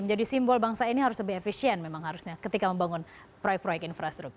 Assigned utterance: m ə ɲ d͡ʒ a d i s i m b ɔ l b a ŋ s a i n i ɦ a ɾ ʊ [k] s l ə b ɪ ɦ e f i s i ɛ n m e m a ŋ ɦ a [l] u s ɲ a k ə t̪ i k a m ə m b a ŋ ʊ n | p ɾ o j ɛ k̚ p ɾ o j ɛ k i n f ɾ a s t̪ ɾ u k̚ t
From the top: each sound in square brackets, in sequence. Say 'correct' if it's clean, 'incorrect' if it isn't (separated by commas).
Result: incorrect, incorrect